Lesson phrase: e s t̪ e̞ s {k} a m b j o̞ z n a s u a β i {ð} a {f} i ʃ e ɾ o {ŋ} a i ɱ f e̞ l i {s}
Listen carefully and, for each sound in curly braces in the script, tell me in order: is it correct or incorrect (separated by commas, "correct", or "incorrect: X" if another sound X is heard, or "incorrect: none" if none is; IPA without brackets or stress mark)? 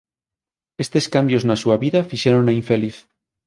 correct, correct, correct, incorrect: n, incorrect: θ